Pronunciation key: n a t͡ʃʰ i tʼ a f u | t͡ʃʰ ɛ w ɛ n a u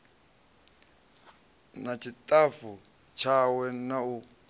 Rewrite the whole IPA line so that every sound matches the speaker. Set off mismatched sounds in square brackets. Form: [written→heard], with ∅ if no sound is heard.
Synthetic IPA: n a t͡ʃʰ i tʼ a f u | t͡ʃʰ [ɛ→a] w ɛ n a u